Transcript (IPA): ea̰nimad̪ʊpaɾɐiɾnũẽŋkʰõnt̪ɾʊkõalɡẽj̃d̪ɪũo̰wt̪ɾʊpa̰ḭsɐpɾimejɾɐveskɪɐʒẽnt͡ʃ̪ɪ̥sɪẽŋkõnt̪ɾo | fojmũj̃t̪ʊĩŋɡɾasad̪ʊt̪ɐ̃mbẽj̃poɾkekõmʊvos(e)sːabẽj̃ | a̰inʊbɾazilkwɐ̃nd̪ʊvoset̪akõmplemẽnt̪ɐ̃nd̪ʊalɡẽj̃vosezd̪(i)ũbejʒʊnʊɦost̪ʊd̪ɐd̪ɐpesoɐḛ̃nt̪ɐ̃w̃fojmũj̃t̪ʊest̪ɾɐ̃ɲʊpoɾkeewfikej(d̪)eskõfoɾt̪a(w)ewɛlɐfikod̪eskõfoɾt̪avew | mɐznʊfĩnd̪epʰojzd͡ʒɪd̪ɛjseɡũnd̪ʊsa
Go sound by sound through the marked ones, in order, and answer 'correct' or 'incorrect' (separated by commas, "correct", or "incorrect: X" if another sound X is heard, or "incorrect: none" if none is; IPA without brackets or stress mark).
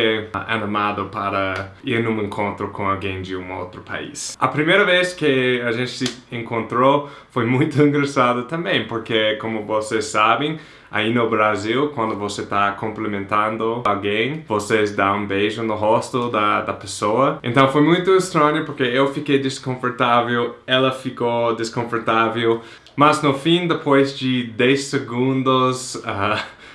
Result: correct, incorrect: a, correct, incorrect: v